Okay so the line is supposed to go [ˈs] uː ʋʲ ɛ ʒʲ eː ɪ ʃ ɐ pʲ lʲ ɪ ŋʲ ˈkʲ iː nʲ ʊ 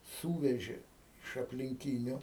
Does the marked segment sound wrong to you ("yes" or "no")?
no